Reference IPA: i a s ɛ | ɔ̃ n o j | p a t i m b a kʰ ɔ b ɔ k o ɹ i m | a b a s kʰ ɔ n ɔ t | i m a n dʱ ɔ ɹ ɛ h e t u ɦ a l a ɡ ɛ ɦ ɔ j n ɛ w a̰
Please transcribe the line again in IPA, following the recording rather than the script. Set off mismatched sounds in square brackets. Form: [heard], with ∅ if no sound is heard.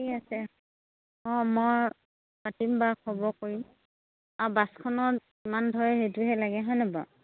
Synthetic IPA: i a s ɛ | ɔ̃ [m] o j | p a t i m b a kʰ ɔ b ɔ k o ɹ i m | a b a s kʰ ɔ n ɔ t | i m a n dʱ ɔ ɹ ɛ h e t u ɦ [ɛ] l a ɡ ɛ ɦ ɔ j n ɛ [b] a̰